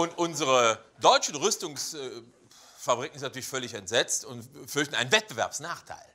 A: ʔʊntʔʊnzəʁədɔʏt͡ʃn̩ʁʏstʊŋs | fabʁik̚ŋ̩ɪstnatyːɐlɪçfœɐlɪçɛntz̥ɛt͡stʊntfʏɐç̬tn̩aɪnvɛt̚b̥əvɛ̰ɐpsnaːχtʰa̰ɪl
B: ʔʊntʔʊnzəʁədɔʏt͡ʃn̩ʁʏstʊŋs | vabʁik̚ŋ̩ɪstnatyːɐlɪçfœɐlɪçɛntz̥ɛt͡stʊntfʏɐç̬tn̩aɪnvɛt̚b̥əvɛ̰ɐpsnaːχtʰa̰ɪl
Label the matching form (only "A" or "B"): A